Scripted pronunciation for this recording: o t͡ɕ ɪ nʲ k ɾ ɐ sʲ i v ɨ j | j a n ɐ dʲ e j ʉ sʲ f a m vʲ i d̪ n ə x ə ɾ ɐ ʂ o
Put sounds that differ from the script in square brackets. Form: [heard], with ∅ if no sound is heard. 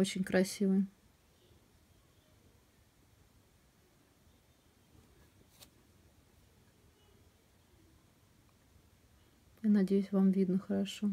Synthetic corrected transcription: o t͡ɕ ɪ nʲ k ɾ ɐ sʲ i v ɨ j | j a n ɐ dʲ e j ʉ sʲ [v] a m vʲ i d̪ n ə x ə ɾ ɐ ʂ o